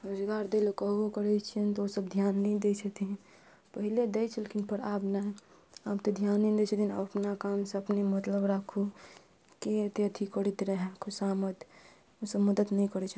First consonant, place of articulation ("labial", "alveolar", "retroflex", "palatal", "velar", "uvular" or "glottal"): alveolar